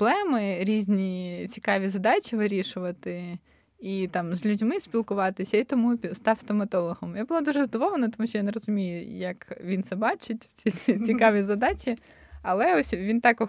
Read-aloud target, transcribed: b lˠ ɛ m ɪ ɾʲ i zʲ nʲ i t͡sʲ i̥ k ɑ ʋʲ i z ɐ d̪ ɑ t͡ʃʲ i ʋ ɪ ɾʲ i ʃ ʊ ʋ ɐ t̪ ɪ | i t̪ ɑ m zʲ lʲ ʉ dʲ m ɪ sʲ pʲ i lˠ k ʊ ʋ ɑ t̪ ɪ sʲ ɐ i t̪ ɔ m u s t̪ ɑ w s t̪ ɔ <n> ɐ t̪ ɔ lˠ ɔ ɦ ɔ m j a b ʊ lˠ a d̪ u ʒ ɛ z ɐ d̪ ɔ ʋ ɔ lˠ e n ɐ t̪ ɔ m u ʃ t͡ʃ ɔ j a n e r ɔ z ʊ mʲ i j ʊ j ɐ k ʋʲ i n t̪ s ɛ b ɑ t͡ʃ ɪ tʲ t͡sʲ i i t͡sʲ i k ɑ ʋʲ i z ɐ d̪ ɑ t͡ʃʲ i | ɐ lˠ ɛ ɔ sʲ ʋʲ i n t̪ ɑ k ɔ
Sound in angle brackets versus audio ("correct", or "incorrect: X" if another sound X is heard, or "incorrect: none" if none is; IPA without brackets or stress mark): incorrect: m